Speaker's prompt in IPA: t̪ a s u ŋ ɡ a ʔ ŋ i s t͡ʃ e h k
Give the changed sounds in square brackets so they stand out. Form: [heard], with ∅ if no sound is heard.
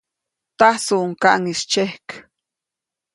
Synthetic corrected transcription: t̪ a s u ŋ [k] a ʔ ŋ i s t͡ʃ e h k